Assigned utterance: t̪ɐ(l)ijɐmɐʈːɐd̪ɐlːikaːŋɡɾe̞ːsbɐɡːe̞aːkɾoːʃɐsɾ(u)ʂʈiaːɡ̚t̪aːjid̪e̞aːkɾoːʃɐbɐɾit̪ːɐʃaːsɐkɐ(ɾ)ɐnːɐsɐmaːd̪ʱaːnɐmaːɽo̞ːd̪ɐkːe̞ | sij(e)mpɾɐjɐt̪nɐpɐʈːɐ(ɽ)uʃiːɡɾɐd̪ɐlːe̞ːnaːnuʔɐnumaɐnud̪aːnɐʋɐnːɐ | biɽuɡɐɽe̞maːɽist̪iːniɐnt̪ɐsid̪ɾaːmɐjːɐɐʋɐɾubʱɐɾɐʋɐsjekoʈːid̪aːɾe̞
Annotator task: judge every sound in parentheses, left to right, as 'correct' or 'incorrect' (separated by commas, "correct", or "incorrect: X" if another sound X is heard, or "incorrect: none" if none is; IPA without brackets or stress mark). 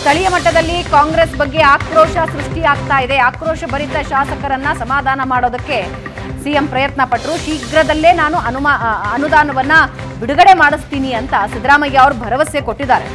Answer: incorrect: ɭ, correct, correct, correct, incorrect: ɾ